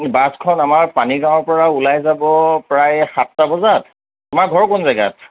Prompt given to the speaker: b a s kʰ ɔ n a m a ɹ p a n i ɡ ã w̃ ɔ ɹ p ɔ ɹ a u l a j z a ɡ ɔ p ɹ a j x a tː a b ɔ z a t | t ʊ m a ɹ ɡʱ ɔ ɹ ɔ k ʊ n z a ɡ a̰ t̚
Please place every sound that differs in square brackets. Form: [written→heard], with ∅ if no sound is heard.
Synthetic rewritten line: b a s kʰ ɔ n a m a ɹ p a n i ɡ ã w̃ ɔ ɹ p ɔ ɹ a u l a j z a [ɡ→b] ɔ p ɹ a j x a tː a b ɔ z a t | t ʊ m a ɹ ɡʱ ɔ ɹ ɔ k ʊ n z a ɡ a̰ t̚

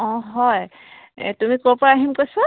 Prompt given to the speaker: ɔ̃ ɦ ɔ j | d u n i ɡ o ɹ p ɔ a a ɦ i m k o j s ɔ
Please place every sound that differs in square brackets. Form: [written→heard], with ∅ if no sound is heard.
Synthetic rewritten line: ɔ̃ ɦ ɔ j | [d→t] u [n→m] i [ɡ→k] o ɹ p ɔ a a ɦ i m k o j s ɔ

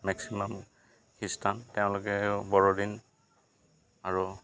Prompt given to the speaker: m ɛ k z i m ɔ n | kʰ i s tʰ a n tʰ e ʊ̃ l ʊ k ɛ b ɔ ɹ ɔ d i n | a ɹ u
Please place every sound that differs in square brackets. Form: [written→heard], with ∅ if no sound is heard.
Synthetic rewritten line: m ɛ k [z→s] i m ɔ [n→m] | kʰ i s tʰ a n [tʰ→t] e ʊ̃ l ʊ k ɛ b ɔ ɹ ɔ d i n | a ɹ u

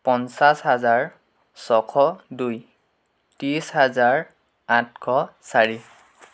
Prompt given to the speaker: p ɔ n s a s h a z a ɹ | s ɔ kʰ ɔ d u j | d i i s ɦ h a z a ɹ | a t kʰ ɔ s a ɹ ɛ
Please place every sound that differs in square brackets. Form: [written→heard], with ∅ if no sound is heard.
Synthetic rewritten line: p ɔ n s a s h a z a ɹ | s ɔ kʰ ɔ d u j | [d→t] i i s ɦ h a z a ɹ | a t kʰ ɔ s a ɹ [ɛ→i]

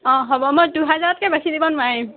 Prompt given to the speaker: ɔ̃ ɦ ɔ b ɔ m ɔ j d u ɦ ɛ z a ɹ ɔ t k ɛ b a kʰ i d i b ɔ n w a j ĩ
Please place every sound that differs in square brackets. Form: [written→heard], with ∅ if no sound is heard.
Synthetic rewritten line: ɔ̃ ɦ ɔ b ɔ m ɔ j d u ɦ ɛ z a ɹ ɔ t k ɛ b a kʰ i d i b ɔ n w a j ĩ

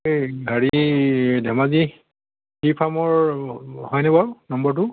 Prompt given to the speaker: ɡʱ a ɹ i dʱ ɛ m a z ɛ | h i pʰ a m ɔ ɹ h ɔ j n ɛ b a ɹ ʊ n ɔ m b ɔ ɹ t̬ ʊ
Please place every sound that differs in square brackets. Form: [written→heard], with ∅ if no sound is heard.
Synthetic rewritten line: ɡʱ a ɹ i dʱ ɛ m a z [ɛ→i] | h i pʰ a m ɔ ɹ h ɔ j n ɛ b a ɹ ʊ n ɔ m b ɔ ɹ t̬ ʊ

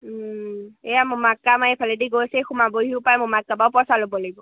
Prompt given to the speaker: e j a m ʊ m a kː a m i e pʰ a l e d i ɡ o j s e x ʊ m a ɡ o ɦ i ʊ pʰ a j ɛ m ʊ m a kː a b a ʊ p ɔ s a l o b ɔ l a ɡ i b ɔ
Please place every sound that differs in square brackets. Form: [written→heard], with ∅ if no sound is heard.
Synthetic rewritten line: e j a m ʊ m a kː a m [i→a] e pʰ a l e d i ɡ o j s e x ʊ m a [ɡ→b] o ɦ i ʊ [pʰ→p] a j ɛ m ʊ m a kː a b a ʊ p ɔ s a l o b ɔ l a ɡ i b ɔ

